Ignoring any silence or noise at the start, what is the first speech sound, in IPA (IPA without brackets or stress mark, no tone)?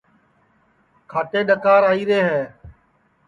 kʰ